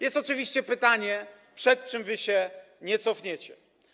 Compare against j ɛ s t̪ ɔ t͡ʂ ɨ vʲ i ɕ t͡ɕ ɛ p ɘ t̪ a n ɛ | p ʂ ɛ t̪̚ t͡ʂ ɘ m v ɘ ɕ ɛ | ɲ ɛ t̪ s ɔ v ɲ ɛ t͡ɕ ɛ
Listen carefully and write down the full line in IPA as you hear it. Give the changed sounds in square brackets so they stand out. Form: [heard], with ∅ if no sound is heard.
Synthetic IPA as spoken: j ɛ s t̪ ɔ t͡ʂ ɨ vʲ i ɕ t͡ɕ ɛ p ɘ t̪ a [ɲ] ɛ | p ʂ ɛ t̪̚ t͡ʂ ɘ m v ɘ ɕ ɛ | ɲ ɛ t̪ s ɔ [f] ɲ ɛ t͡ɕ ɛ